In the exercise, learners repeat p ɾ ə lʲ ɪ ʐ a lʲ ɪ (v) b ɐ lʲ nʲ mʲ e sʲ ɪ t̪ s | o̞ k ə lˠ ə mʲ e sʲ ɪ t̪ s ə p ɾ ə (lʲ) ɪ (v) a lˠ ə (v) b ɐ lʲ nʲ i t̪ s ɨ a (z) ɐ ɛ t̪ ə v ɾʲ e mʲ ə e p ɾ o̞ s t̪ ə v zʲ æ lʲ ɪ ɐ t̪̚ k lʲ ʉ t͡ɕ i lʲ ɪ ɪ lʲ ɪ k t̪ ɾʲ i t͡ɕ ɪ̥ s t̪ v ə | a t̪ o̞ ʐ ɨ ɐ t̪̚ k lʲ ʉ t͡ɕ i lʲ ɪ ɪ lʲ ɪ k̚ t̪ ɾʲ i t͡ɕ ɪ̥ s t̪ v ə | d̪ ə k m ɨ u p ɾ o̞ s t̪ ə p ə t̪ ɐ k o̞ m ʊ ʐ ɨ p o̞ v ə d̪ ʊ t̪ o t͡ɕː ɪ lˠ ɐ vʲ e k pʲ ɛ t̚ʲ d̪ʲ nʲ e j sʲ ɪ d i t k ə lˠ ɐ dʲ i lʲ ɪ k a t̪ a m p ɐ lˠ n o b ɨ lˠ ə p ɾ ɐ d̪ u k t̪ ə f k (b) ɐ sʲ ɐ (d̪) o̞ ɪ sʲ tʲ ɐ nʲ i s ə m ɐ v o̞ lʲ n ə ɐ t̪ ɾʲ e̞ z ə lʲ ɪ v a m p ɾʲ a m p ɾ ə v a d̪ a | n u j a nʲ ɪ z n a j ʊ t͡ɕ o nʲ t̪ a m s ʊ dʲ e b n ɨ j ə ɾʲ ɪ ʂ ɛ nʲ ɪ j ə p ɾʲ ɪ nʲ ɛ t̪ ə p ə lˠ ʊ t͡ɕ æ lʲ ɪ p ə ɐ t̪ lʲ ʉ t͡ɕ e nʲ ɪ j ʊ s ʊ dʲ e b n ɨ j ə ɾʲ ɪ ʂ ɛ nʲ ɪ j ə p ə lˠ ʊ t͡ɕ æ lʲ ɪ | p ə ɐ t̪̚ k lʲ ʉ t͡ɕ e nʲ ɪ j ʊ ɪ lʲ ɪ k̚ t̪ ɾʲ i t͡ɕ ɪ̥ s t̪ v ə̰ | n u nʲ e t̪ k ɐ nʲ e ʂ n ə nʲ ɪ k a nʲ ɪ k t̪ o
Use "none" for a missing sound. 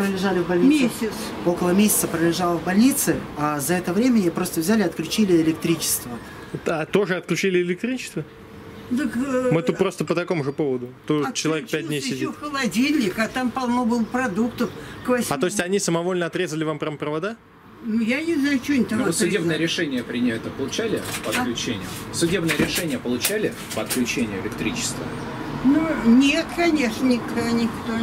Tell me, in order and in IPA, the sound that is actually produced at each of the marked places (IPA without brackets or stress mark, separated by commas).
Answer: v, lʲ, ʐ, v, z, v, t̪